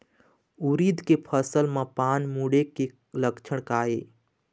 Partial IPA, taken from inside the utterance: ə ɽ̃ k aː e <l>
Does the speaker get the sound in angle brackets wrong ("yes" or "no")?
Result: yes